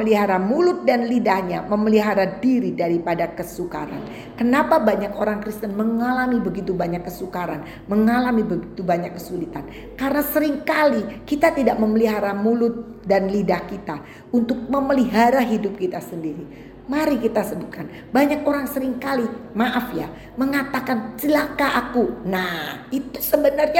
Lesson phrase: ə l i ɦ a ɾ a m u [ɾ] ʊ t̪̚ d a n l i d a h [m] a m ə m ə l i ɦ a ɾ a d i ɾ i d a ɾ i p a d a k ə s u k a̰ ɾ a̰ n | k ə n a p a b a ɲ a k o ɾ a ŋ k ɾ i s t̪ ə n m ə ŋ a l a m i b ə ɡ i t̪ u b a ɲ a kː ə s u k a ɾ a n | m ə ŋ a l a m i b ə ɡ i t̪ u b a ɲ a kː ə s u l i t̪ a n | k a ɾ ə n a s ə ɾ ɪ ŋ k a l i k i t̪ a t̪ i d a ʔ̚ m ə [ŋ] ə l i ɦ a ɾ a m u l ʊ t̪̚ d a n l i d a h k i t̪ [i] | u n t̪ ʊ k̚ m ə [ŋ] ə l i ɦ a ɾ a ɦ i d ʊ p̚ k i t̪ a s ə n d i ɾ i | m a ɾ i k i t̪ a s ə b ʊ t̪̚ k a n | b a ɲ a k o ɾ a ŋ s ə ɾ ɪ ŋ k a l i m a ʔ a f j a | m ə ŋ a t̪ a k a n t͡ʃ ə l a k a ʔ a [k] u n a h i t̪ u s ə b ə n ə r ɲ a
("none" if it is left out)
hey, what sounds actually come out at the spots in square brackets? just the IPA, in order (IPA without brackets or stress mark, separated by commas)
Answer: l, ɲ, m, a, m, k